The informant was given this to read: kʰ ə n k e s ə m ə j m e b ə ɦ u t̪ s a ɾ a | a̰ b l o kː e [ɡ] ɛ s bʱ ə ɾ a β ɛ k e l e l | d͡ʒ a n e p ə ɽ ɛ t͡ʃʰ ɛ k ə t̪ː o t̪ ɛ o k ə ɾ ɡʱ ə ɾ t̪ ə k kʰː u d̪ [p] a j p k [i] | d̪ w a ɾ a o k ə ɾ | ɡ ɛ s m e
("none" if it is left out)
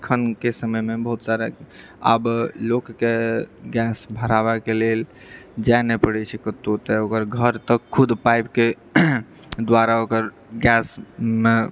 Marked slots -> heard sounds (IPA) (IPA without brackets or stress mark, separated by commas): ɡ, p, e